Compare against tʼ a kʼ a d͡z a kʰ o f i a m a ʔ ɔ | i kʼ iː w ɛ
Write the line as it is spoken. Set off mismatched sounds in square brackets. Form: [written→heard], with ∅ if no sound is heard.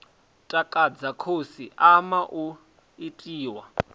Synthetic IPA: tʼ a kʼ a d͡z a kʰ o [f→s] i a m a ʔ [ɔ→u] | i [kʼ→tʼ] iː w [ɛ→a]